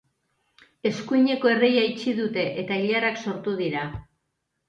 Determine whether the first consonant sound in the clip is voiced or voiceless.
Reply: voiceless